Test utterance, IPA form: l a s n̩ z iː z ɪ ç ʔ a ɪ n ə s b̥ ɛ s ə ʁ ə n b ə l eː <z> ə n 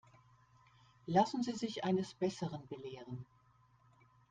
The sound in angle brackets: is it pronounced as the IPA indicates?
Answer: no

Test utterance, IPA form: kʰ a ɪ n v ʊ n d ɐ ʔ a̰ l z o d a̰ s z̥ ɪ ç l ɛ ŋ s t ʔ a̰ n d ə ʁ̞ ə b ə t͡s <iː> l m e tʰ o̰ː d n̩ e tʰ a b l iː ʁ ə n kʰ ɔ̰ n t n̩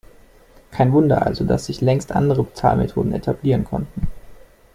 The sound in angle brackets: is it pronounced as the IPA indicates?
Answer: no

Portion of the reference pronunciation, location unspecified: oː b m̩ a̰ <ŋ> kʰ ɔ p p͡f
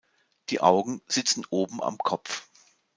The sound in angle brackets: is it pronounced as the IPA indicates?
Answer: no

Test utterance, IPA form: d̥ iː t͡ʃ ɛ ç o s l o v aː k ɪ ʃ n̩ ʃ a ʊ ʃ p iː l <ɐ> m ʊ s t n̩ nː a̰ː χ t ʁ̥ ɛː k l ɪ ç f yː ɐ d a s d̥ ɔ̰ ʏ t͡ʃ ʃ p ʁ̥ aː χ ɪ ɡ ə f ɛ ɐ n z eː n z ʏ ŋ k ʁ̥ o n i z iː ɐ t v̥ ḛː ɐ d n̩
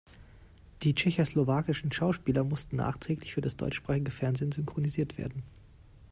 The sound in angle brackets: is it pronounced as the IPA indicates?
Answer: yes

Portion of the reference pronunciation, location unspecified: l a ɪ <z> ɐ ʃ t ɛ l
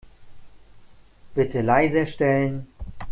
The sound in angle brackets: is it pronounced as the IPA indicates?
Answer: yes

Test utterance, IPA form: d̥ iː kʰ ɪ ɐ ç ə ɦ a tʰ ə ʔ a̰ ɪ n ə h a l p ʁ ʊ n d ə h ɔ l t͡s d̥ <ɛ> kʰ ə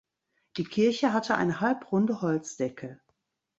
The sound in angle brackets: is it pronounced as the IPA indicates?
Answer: yes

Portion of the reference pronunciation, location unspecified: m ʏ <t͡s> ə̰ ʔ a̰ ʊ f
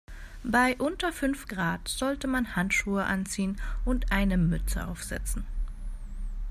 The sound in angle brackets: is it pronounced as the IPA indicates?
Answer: yes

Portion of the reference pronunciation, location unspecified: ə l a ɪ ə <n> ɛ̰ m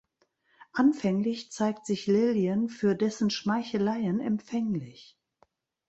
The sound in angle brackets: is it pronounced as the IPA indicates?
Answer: yes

